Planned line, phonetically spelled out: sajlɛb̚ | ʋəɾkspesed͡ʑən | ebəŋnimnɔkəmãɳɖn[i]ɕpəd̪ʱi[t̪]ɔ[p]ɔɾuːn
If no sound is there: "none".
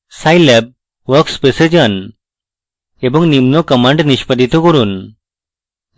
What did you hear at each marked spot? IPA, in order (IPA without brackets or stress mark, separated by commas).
i, t̪, k